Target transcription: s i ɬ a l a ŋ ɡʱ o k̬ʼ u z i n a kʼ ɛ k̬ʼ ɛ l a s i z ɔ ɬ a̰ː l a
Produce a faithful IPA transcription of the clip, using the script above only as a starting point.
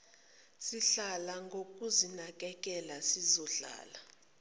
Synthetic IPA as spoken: s i ɬ a l a ŋ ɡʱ o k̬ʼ u z i n a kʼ ɛ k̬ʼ ɛ l a s i z ɔ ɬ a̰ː l a